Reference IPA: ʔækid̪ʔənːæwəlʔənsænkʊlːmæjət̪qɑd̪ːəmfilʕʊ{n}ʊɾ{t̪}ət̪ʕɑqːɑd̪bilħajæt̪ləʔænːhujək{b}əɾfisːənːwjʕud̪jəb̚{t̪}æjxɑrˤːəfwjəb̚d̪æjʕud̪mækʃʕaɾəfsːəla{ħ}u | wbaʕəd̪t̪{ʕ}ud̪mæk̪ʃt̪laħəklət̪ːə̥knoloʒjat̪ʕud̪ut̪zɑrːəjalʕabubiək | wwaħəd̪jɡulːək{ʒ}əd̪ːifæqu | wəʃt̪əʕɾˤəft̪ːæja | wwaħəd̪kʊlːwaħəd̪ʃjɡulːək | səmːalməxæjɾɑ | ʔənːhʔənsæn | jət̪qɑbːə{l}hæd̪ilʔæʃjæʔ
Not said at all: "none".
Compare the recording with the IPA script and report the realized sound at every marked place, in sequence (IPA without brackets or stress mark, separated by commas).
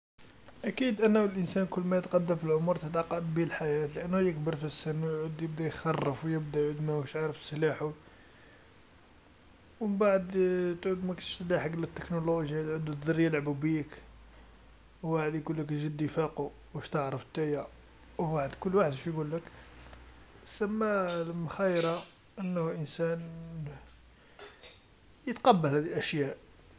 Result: m, t̪, b, d̪, ħ, ʕ, ʒ, l